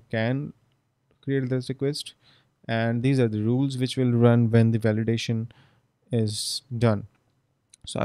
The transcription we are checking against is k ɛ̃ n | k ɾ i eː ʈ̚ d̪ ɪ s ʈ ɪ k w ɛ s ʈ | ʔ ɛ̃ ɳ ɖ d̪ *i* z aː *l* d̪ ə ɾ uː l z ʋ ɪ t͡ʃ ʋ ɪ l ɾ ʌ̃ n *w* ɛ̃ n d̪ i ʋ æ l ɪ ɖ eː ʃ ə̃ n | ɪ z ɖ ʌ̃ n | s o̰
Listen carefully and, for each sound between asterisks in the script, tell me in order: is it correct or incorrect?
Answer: incorrect: iː, incorrect: ɾ, incorrect: ʋ

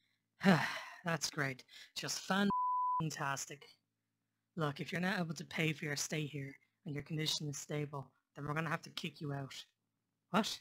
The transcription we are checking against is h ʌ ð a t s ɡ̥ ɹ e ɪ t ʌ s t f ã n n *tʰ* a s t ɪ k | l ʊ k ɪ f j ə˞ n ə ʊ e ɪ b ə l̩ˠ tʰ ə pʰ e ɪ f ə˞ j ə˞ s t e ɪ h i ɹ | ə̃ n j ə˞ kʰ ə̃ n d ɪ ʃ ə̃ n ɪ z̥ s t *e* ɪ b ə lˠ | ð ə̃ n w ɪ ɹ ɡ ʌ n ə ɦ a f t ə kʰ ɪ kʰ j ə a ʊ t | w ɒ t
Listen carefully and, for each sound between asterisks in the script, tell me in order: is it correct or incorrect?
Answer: correct, correct

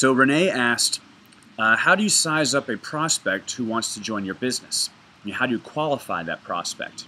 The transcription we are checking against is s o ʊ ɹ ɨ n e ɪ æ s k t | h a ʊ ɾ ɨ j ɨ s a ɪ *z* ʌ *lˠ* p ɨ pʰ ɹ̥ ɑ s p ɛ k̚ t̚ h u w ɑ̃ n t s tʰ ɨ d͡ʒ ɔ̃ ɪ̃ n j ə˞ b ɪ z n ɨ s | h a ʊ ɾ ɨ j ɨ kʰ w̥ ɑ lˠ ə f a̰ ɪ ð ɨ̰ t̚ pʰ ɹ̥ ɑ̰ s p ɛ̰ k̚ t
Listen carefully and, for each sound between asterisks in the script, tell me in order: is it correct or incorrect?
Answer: correct, incorrect: none

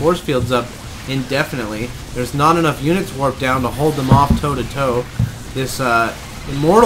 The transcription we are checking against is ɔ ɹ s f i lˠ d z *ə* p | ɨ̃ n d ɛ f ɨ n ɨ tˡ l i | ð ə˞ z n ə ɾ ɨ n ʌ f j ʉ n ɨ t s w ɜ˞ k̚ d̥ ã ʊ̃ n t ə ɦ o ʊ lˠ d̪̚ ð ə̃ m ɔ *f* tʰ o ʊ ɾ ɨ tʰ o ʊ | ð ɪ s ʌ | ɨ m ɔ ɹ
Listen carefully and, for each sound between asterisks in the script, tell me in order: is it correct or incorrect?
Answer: incorrect: ʌ, correct

